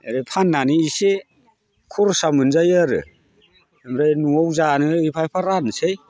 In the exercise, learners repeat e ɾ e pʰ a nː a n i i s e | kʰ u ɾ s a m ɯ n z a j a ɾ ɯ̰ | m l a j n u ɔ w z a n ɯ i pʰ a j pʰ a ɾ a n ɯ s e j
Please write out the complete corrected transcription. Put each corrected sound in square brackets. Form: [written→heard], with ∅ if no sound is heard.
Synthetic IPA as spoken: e ɾ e pʰ a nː a n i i s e | kʰ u ɾ s a m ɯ n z a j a ɾ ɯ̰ | m [l→ɾ] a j n u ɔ w z a n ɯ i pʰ a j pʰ a ɾ a n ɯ s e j